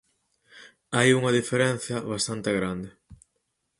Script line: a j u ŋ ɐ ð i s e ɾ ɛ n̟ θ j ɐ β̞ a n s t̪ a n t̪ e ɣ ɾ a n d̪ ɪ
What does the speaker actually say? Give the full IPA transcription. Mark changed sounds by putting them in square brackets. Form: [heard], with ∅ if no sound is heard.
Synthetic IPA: a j u ŋ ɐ ð i [f] e ɾ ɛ n̟ θ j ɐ β̞ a [∅] s t̪ a n t̪ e ɣ ɾ a n d̪ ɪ